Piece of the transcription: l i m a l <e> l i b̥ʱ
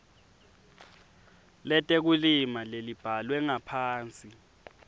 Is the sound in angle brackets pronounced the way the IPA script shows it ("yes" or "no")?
yes